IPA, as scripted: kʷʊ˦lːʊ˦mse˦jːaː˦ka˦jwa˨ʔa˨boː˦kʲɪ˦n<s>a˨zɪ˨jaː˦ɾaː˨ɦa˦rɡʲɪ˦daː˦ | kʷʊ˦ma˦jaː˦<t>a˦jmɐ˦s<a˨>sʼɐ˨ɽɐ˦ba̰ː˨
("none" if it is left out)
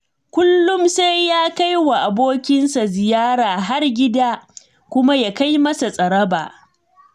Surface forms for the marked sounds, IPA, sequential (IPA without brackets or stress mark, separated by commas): s, k, a˨